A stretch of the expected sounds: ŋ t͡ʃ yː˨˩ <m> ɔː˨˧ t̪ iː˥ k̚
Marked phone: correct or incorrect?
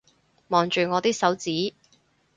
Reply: incorrect